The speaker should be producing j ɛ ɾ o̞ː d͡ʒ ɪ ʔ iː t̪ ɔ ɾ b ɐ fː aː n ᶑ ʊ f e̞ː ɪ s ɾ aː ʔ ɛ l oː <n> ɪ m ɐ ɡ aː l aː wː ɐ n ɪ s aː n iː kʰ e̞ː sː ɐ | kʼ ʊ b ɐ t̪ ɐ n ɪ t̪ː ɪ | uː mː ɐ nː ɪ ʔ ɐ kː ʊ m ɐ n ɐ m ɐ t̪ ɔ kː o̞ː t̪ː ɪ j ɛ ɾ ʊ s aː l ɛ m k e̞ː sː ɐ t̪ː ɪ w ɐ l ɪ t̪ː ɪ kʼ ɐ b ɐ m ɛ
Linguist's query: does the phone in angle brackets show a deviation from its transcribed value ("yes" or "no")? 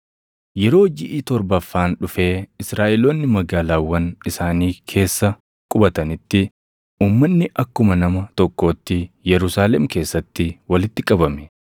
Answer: yes